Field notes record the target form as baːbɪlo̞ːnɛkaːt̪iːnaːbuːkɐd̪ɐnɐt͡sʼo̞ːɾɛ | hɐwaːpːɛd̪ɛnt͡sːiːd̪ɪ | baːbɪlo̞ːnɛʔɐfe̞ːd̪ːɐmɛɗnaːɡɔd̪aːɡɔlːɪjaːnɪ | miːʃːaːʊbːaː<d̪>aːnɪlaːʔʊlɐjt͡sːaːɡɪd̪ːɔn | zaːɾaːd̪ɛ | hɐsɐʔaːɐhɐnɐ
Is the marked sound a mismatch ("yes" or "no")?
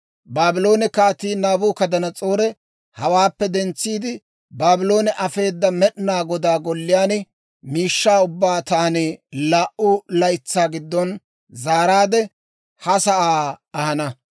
yes